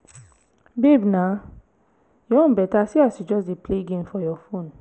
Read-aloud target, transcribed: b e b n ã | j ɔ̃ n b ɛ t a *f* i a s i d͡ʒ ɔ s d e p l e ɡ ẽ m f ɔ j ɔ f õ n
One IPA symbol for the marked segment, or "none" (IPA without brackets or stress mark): s